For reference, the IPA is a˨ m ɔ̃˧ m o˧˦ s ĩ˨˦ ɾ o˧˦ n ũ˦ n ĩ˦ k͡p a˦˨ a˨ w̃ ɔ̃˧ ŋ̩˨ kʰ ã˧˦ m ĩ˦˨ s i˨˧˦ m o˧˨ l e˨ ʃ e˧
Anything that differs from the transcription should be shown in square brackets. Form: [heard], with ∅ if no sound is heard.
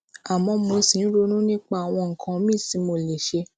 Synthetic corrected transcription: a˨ m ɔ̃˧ m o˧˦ s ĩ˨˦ ɾ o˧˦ n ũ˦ n ĩ˦ k͡p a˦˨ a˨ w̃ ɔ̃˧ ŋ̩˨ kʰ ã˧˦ m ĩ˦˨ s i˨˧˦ m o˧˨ l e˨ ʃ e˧